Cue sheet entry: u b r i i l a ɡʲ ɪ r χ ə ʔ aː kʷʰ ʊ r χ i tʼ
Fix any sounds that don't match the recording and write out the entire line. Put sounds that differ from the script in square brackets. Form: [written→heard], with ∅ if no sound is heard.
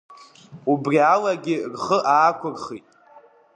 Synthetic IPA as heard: u b r i [i→a] l a ɡʲ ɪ r χ ə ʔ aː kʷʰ ʊ r χ i tʼ